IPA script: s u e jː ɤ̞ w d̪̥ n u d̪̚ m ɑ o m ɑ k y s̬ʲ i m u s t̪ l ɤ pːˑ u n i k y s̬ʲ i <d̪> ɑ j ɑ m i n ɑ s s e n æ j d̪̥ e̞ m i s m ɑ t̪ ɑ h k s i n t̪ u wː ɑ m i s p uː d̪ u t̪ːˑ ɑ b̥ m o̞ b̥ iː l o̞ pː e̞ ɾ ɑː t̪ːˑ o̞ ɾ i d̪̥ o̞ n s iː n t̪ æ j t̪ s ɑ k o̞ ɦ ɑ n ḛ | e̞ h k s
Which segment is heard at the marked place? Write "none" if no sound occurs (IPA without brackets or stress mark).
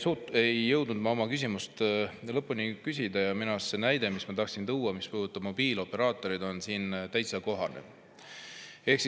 d̪